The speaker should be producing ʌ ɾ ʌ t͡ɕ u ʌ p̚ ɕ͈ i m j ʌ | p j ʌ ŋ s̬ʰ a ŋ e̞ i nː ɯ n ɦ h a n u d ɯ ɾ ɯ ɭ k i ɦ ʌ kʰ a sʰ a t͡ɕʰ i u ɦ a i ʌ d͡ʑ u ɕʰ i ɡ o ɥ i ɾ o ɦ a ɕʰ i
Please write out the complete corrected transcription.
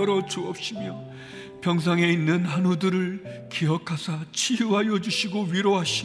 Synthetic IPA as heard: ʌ ɾ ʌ t͡ɕ u ʌ p̚ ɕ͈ i m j ʌ | p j ʌ ŋ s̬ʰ a ŋ e̞ i nː ɯ n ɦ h a n u d ɯ ɾ ɯ ɭ k i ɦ ʌ kʰ a sʰ a t͡ɕʰ i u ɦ a j ʌ d͡ʑ u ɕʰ i ɡ o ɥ i ɾ o ɦ a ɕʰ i